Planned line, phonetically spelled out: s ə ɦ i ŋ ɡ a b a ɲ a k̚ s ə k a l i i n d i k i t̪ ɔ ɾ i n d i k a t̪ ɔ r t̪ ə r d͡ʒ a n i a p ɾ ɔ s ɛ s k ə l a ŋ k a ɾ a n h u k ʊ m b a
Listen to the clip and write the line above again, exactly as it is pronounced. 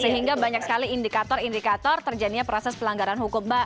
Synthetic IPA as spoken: s ə ɦ i ŋ ɡ a b a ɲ a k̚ s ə k a l i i n d i k a t̪ ɔ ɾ i n d i k a t̪ ɔ r t̪ ə r d͡ʒ a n i a p ɾ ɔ s ɛ s p ə l a ŋ ɡ a ɾ a n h u k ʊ m b a